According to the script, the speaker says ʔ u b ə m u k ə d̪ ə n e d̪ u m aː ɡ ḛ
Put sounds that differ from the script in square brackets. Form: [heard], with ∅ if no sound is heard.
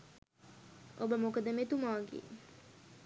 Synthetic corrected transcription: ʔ [o] b ə m [o] k ə d̪ ə [m] e [t̪] u m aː ɡ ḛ